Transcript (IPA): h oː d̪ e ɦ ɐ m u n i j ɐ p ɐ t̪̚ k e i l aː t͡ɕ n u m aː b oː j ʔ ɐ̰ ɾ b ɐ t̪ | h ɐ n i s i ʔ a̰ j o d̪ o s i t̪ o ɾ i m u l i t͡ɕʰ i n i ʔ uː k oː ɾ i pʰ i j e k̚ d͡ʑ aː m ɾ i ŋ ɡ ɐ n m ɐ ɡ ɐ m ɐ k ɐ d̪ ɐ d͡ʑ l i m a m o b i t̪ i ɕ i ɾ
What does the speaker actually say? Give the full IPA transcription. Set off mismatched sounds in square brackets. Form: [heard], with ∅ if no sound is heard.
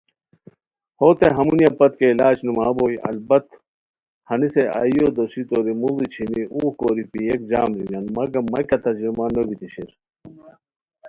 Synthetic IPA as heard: h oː [t̪] e ɦ ɐ m u n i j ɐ p ɐ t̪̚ k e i l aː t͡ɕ n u m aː b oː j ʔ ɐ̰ [l] b ɐ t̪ | h ɐ n i s [e] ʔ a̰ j o d̪ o s i t̪ o ɾ i m u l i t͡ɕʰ i n i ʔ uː k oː ɾ i [p] i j e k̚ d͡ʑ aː m ɾ i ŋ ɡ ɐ n m ɐ ɡ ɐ m ɐ k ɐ [t̪] ɐ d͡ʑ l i m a [n] o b i t̪ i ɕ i ɾ